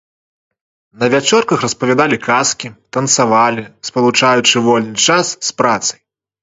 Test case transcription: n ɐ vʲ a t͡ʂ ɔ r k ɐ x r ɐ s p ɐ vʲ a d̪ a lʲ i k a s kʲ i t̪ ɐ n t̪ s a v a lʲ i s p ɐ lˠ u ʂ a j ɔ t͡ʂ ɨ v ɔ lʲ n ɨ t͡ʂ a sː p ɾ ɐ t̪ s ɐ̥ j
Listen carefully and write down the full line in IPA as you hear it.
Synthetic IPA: n ɐ vʲ a t͡ʂ ɔ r k ɐ x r ɐ s p ɐ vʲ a d̪ a lʲ i k a s kʲ i t̪ ɐ n t̪ s a v a lʲ i s p ɐ lˠ u t͡ʂ a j u t͡ʂ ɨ v ɔ lʲ n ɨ t͡ʂ a sː p ɾ a t̪ s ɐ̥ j